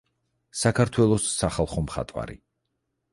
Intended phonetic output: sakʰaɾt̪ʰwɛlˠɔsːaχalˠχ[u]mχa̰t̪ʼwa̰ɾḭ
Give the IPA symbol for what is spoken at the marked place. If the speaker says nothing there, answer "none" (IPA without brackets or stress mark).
ɔ